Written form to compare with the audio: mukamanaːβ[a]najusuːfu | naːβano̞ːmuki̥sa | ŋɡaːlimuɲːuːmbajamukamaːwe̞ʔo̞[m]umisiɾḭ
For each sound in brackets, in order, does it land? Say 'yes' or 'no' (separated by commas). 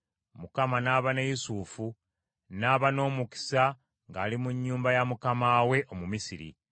yes, yes